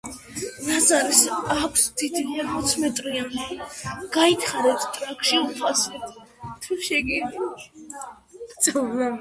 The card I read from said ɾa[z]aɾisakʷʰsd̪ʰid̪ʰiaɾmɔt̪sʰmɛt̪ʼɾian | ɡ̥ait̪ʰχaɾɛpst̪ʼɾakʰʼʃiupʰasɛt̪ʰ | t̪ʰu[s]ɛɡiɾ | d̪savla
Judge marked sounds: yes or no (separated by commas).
yes, no